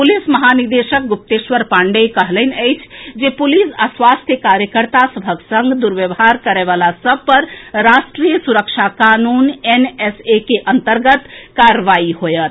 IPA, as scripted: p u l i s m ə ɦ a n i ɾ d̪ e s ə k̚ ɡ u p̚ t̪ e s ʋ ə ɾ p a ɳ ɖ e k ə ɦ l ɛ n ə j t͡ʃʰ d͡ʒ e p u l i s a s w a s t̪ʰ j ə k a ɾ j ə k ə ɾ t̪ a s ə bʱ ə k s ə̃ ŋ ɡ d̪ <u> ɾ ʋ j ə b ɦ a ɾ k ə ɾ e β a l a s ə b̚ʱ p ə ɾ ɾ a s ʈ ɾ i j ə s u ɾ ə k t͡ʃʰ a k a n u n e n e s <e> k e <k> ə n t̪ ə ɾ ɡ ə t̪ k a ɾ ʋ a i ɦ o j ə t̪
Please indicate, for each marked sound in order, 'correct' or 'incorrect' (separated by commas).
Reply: correct, correct, incorrect